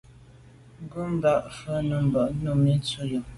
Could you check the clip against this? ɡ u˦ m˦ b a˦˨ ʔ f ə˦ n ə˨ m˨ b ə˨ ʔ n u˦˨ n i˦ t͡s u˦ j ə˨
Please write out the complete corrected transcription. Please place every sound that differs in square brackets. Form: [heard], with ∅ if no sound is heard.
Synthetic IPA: ɡ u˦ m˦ b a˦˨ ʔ f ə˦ n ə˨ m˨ b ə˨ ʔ n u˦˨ [m] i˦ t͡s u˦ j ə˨

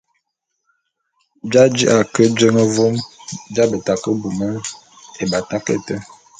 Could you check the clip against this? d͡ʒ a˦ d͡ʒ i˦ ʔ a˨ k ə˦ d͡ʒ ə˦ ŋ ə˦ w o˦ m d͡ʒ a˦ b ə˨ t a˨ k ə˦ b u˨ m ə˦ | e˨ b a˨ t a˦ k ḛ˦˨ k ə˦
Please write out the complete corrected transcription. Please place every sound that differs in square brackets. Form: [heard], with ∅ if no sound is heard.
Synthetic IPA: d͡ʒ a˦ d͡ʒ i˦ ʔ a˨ k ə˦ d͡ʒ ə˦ ŋ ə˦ [v] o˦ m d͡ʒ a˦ b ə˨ t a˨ k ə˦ b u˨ m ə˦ | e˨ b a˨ t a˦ k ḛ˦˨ [t] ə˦

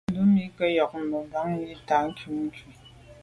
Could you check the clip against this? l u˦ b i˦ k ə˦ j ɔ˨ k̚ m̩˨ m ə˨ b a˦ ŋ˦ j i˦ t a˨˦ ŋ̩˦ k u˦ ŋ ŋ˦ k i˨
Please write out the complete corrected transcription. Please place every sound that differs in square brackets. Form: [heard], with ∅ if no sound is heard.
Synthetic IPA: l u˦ [m] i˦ k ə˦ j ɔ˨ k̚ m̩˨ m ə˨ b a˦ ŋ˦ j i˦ t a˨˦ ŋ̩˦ k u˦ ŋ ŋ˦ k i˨

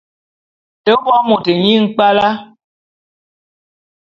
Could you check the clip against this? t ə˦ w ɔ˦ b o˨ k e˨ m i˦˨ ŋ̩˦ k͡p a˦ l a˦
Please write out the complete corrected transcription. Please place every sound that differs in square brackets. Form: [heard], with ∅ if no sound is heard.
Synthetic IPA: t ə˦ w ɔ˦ [m] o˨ [t] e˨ [ɲ] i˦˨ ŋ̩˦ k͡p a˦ l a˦

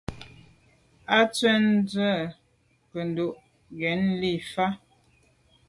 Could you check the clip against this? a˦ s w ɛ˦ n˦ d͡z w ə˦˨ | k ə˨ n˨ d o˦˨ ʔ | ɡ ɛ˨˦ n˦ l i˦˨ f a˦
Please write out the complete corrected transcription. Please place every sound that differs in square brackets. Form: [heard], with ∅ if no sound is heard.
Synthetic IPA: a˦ [t͡s] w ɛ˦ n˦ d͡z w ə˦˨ | k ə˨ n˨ d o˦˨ ʔ | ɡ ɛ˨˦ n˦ l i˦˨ f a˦

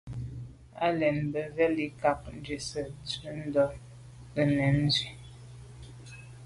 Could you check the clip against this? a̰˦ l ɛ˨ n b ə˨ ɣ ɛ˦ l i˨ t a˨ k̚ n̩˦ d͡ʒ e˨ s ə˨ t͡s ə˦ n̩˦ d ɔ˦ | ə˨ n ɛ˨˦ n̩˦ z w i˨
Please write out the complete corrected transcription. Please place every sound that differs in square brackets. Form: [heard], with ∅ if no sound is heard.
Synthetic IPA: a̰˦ l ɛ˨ n b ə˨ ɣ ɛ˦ l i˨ [k] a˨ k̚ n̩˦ d͡ʒ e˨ s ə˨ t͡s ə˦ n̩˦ d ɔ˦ | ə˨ n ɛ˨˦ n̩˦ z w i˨

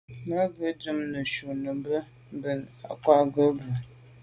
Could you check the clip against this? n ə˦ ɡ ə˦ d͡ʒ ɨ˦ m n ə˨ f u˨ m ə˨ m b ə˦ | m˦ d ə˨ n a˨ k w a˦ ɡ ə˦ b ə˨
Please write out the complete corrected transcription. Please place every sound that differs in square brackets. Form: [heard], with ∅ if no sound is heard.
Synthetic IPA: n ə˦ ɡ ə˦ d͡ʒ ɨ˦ m n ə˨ [ʃ] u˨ [n] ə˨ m b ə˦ | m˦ [b] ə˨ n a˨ k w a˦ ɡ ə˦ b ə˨

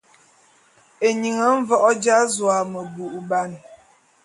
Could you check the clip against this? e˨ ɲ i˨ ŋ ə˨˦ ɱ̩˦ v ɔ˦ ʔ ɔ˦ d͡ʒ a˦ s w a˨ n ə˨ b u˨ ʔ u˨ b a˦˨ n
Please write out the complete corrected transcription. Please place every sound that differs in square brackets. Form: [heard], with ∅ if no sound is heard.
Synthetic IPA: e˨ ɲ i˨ ŋ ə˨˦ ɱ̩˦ v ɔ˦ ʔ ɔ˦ d͡ʒ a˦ [z] w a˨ [m] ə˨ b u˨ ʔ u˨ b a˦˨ n

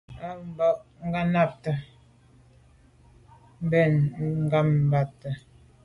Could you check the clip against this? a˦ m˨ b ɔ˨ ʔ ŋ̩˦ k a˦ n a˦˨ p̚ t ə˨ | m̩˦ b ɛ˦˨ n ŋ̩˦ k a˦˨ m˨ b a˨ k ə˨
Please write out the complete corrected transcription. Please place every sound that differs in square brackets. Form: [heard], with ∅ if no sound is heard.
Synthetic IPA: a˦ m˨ b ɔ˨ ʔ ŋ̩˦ [ɡ] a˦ n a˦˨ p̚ t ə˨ | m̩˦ b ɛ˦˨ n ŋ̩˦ [ɡ] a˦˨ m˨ b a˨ [t] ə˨

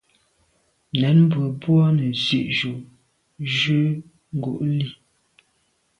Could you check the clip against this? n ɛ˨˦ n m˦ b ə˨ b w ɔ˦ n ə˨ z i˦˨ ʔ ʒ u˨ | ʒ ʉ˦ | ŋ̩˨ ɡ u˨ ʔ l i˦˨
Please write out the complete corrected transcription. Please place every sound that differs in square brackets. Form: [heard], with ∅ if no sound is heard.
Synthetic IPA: n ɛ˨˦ n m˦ b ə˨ b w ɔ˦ n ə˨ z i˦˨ ʔ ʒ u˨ | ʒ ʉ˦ | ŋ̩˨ ɡ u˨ ʔ l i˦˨

